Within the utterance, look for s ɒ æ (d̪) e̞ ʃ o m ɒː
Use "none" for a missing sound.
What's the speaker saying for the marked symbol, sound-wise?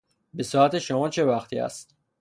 t̪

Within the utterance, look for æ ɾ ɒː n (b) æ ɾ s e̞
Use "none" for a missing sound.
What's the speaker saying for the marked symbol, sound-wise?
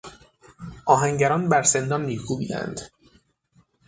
b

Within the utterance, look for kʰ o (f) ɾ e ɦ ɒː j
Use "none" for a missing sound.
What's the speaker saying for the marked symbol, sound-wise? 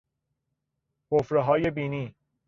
f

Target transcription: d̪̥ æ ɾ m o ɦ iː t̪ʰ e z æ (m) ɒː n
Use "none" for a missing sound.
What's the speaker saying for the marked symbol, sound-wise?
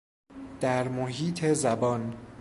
b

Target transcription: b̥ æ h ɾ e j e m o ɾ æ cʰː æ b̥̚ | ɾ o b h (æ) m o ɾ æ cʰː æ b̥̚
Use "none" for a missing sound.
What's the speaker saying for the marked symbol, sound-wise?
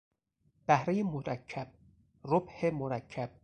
e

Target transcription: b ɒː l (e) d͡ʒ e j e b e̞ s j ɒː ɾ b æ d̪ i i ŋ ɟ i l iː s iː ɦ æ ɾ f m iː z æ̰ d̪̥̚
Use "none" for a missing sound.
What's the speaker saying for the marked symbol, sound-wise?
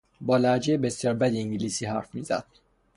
æ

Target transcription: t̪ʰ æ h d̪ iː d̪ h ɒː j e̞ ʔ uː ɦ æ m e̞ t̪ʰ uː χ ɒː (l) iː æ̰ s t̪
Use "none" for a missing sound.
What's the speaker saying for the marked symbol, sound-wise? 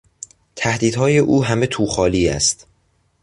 l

